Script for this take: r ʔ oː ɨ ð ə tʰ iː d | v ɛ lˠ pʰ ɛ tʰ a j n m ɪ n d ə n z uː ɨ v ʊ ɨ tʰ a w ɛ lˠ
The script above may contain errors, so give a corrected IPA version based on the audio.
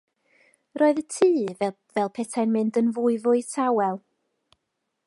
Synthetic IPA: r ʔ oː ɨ ð ə tʰ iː | v ɛ lˠ pʰ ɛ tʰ a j n m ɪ n d ə n v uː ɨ v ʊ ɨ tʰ a w ɛ lˠ